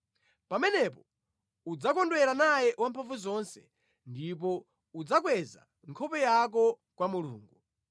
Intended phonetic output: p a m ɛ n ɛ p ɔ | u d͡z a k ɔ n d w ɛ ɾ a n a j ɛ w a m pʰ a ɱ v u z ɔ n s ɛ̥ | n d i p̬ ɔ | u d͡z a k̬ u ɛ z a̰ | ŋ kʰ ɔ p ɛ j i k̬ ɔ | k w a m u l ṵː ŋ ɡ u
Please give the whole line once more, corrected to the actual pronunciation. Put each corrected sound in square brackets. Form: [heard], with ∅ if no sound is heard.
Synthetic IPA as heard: p a m ɛ n ɛ p ɔ | u d͡z a k ɔ n d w ɛ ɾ a n a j ɛ w a m pʰ a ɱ v u z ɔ n s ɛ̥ | n d i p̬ ɔ | u d͡z a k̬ [w] ɛ z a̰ | ŋ kʰ ɔ p ɛ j [a] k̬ ɔ | k w a m u l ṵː ŋ ɡ u